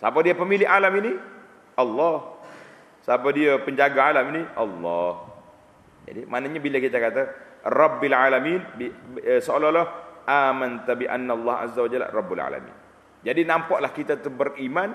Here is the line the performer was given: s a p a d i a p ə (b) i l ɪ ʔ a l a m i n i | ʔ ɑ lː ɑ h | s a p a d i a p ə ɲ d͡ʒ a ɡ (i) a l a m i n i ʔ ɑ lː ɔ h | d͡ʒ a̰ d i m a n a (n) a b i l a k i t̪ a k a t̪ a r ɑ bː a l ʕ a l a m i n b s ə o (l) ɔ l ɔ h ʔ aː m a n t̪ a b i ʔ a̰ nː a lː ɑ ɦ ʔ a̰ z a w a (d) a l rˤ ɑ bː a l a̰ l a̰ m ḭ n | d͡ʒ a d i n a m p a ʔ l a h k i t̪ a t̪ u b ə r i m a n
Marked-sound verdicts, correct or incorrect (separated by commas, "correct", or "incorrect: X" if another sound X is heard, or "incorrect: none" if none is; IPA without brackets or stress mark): incorrect: m, incorrect: a, incorrect: ɲ, correct, incorrect: d͡ʒ